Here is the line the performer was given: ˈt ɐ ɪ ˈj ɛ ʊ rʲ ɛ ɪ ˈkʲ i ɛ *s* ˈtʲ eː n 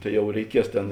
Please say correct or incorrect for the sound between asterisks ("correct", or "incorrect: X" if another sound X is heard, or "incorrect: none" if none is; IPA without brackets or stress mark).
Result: correct